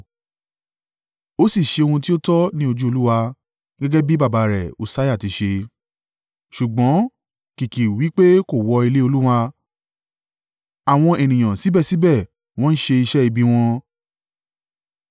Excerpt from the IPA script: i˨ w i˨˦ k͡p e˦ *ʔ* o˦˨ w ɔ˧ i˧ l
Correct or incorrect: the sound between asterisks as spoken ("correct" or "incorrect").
incorrect